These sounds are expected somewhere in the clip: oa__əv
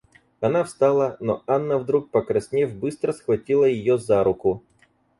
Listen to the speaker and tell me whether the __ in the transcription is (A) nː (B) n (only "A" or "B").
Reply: A